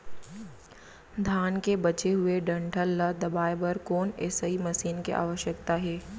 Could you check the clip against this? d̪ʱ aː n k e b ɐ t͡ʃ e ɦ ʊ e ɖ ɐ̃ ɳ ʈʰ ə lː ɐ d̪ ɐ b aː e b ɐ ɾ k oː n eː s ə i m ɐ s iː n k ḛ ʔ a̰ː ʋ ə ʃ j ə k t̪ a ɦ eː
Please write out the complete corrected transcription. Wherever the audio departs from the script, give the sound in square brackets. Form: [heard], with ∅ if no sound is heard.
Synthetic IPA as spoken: d̪ʱ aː n k e b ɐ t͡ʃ e ɦ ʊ e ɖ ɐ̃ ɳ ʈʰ ə lː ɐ d̪ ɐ b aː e b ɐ ɾ k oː n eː s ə i m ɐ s iː n k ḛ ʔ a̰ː ʋ ə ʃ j ə k t̪ a ɦ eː